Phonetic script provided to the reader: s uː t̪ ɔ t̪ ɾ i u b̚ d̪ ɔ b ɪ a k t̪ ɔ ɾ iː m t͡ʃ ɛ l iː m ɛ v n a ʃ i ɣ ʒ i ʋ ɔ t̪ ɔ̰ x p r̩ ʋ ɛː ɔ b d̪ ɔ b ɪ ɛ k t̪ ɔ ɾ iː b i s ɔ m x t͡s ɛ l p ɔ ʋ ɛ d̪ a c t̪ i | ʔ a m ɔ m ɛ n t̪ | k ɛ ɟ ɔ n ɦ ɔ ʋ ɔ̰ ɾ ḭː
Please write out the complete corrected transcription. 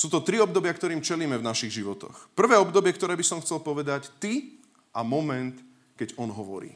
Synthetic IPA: s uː t̪ ɔ t̪ ɾ i ɔ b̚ d̪ ɔ b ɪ a k t̪ ɔ ɾ iː m t͡ʃ ɛ l iː m ɛ v n a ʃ i ɣ ʒ i ʋ ɔ t̪ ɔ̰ x p r̩ ʋ ɛː ɔ b d̪ ɔ b ɪ ɛ k t̪ ɔ ɾ ɛː b i s ɔ m x t͡s ɛ l p ɔ ʋ ɛ d̪ a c t̪ i | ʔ a m ɔ m ɛ n t̪ | k ɛ ɟ ɔ n ɦ ɔ ʋ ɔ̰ ɾ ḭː